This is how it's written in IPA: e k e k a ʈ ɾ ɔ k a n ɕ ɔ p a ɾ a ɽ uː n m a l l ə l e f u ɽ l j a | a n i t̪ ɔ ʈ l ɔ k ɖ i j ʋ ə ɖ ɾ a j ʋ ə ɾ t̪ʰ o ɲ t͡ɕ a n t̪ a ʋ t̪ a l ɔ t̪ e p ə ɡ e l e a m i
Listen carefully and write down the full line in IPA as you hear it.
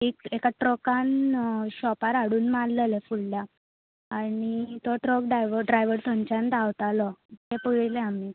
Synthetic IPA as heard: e k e k a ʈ ɾ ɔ k a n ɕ ɔ p a ɾ a ɽ uː n m a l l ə l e f u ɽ l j a | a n i t̪ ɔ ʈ ɾ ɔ k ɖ a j ʋ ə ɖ ɾ a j ʋ ə ɾ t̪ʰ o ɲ t͡ɕ a n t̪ a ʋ t̪ a l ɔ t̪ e p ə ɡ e l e a m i